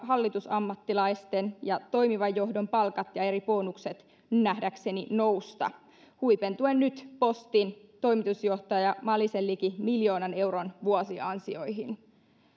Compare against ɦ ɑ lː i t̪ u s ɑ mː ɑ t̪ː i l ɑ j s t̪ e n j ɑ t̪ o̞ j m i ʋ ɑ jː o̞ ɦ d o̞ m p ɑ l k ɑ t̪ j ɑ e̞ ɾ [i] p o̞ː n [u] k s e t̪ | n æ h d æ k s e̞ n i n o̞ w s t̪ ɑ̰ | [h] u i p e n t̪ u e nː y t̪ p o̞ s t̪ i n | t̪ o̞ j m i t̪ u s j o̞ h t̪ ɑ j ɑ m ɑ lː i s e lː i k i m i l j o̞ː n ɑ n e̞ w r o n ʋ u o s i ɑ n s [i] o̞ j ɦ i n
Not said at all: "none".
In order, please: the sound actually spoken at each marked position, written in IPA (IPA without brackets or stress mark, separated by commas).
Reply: i, u, h, i